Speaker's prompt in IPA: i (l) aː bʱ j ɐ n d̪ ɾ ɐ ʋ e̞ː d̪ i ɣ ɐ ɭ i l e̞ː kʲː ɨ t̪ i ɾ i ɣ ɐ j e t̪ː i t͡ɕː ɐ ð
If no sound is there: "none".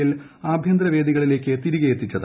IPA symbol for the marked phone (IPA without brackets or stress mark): l